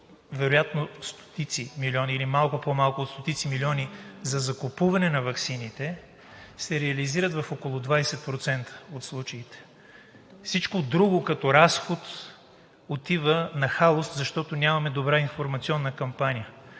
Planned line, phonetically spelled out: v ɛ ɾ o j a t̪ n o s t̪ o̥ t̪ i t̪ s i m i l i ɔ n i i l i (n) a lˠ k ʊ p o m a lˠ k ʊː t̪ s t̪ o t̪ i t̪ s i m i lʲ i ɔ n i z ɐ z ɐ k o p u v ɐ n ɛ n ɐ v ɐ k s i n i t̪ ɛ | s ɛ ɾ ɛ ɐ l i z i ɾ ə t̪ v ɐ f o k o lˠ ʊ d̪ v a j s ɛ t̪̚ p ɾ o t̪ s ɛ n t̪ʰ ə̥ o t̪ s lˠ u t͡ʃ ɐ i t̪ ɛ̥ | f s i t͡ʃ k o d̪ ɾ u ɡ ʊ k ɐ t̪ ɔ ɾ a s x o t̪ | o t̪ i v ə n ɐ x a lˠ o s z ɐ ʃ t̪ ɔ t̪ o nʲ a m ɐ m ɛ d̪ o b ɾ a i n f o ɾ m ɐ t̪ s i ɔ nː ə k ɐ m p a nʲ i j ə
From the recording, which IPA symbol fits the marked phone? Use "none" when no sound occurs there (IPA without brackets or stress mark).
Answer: m